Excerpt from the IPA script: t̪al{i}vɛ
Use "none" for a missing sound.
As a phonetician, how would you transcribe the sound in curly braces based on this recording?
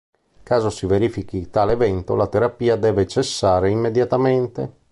e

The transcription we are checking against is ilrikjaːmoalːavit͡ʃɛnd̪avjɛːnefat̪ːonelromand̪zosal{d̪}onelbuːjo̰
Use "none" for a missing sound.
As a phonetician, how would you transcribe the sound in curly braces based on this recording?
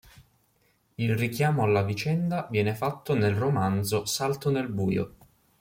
t̪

